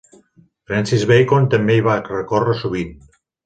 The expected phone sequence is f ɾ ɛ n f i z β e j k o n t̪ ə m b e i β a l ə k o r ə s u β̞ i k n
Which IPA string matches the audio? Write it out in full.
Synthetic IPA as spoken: f ɾ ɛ n s i z β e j k o n t̪ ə m b e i β a r ə k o r ə s u β̞ i n